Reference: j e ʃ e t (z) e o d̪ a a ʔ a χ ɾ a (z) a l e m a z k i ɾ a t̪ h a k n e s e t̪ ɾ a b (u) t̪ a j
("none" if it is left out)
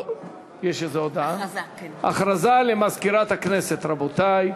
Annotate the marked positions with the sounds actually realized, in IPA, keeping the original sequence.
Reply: z, z, o

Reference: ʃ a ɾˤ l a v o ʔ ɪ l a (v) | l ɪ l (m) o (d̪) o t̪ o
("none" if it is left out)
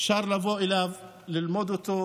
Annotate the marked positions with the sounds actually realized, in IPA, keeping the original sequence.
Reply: v, m, d̪

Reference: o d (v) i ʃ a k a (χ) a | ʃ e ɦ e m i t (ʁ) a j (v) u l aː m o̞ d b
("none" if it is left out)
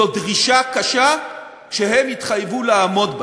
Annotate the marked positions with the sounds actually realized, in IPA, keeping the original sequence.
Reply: ʁ, ʃ, χ, v

